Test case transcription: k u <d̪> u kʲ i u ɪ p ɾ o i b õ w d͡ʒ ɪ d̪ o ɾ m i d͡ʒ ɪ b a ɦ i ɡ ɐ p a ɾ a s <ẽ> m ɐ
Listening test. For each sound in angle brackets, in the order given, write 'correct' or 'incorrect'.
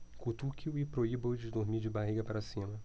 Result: incorrect, incorrect

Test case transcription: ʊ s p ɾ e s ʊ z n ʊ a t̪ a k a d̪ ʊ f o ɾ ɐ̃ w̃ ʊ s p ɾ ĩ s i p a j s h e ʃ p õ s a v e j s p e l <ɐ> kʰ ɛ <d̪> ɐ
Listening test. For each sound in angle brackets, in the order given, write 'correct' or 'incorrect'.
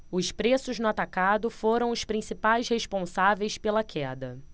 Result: correct, correct

